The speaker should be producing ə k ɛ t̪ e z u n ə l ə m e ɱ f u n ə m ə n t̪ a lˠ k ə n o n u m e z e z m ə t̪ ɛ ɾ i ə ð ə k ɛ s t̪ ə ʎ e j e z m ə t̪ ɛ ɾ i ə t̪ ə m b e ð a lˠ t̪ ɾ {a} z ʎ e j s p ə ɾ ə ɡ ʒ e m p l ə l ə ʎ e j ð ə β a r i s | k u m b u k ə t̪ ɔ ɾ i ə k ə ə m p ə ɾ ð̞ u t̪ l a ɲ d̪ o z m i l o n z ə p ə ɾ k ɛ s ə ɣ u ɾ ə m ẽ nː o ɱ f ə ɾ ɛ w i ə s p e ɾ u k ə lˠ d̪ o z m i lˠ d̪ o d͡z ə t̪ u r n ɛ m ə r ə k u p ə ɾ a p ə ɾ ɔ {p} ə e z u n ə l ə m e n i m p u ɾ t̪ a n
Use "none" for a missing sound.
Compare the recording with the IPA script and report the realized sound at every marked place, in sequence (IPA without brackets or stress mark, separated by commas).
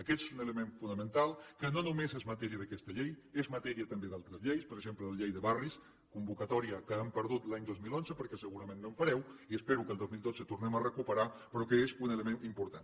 ə, k